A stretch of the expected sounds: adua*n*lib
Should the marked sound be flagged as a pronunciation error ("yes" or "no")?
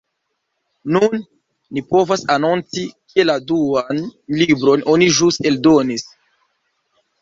no